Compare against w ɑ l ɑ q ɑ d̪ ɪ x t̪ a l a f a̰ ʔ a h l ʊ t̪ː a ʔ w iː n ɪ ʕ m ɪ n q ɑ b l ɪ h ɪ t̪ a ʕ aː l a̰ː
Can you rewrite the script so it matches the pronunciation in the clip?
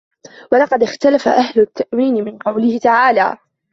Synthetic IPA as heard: w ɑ l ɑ q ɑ d̪ ɪ x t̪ a l a f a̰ ʔ a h l ʊ t̪ː a ʔ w iː n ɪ m ɪ n q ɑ w l ɪ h ɪ t̪ a ʕ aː l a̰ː